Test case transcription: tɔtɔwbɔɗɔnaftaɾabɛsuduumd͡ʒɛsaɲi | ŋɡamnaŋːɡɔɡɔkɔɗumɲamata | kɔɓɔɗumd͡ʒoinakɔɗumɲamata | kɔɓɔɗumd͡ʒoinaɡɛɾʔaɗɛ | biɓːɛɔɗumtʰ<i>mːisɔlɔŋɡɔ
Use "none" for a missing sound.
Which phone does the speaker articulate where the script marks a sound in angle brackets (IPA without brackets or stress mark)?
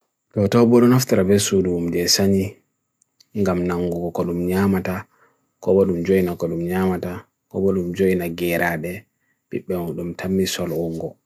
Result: a